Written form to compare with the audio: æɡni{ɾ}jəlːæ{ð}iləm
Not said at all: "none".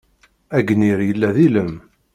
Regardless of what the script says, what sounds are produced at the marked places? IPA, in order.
ɾ, ð

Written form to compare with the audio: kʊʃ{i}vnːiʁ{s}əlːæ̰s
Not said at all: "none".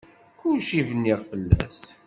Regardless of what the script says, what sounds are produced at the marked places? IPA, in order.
i, f

